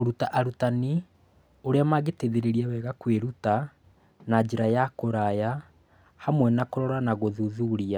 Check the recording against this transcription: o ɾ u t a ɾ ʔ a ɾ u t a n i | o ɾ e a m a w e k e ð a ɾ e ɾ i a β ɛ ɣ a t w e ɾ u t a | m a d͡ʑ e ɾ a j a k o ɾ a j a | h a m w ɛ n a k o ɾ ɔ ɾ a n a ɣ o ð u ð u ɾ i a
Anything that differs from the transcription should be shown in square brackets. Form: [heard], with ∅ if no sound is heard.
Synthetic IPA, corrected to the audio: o ɾ u t a [∅] ʔ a ɾ u t a n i | o ɾ e a m a [ɣ] e [t] e ð [e] ɾ e ɾ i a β ɛ ɣ a [k] w e ɾ u t a | [n] a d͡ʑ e ɾ a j a k o ɾ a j a | h a m w ɛ n a k o ɾ ɔ ɾ a n a ɣ o ð u ð u ɾ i a